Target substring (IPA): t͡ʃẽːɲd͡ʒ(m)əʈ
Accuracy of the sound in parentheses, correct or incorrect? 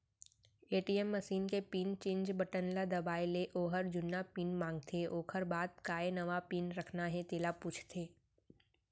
incorrect